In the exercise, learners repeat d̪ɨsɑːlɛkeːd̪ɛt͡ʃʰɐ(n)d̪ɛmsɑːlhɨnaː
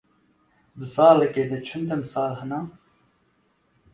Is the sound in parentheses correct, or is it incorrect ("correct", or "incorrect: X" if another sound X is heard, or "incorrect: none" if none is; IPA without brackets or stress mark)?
correct